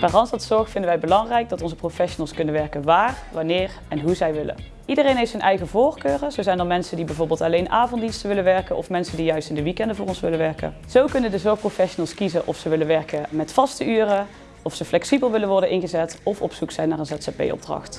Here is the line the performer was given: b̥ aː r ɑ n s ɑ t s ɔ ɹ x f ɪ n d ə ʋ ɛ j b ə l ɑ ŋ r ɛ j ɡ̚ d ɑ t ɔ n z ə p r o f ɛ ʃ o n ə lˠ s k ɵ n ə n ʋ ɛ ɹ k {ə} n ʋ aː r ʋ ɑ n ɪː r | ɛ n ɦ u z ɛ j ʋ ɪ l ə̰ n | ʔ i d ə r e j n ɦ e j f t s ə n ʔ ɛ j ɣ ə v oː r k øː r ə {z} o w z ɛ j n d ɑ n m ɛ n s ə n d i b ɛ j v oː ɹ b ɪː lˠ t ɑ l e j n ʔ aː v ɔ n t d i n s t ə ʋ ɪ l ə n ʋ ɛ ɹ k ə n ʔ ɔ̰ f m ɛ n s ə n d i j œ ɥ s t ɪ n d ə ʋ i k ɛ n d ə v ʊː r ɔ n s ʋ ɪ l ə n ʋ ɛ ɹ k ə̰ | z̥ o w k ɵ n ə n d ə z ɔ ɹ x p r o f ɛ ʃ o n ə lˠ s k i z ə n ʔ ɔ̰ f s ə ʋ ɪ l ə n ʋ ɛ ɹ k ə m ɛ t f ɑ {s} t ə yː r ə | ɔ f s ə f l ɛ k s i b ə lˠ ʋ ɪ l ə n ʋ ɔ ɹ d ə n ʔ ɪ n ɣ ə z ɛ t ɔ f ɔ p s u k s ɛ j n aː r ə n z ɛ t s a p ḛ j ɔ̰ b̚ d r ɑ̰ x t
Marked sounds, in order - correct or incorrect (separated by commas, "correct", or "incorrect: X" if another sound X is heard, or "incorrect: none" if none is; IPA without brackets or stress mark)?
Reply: correct, correct, correct